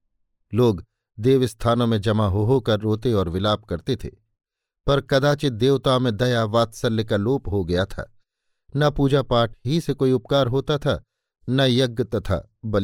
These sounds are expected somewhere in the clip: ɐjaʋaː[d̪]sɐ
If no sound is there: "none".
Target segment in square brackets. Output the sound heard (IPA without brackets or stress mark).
t̪